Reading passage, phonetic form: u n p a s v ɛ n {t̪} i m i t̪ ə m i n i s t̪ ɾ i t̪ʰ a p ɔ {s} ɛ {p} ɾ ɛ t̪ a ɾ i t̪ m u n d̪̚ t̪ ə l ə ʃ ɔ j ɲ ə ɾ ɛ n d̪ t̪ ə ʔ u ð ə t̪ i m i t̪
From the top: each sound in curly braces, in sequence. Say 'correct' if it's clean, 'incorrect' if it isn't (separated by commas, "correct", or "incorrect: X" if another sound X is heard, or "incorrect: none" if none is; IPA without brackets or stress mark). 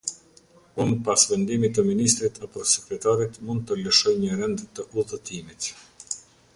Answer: incorrect: d̪, correct, incorrect: k